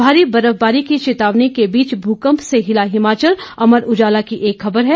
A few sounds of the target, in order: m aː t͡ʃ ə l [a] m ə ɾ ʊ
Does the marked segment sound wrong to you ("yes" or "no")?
yes